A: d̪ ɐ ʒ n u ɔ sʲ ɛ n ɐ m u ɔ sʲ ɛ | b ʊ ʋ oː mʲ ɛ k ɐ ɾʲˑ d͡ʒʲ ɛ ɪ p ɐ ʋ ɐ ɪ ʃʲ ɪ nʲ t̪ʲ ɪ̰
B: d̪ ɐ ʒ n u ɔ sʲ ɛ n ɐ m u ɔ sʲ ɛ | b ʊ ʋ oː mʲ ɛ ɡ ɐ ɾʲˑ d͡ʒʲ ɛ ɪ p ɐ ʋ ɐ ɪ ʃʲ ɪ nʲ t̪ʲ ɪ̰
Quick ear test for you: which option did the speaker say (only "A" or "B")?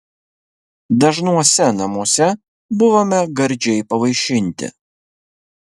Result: B